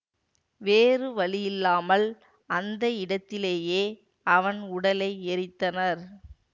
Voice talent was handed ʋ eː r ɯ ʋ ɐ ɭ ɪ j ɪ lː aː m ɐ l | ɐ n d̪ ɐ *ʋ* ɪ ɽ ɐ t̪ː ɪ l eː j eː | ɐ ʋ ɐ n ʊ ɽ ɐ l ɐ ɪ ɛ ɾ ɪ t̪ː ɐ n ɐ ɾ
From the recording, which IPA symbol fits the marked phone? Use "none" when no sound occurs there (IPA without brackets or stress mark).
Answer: none